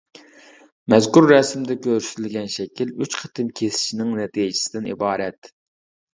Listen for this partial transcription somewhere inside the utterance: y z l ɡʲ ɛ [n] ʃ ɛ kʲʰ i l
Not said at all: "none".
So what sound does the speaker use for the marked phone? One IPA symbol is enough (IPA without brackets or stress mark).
n